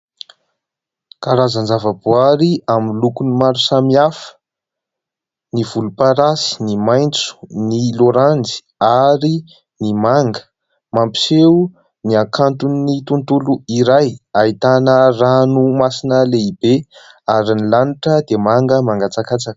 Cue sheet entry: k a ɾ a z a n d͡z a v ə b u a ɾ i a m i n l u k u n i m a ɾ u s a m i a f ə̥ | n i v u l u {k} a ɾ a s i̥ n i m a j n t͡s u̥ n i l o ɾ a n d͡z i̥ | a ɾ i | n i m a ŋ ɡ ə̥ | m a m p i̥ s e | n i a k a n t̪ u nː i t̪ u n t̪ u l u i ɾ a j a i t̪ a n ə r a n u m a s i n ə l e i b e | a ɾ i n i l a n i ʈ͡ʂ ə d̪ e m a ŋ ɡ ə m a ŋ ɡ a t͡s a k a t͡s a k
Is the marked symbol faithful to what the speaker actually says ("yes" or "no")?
no